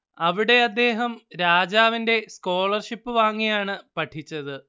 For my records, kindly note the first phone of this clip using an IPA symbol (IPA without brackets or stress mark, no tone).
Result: ɐ